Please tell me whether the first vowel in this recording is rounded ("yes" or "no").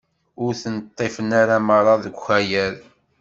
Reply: yes